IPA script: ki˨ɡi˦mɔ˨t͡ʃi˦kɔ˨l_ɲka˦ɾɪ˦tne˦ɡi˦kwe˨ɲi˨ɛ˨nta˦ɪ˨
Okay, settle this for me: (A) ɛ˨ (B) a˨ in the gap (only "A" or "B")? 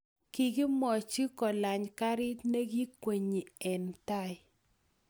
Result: B